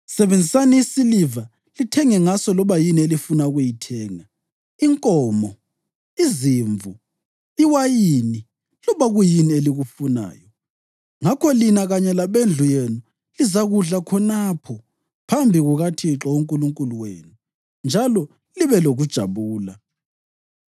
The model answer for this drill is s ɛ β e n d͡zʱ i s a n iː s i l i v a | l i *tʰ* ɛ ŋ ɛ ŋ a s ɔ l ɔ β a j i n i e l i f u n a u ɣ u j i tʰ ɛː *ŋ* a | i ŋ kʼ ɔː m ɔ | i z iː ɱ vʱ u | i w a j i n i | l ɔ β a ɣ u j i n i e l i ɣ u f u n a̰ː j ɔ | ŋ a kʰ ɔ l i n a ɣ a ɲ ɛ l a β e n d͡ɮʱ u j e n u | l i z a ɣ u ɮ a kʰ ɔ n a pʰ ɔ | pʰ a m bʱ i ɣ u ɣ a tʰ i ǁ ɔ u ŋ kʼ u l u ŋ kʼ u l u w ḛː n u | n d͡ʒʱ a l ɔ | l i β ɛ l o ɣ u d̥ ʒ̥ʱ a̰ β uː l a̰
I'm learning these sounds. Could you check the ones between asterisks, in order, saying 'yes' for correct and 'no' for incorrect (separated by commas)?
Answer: yes, yes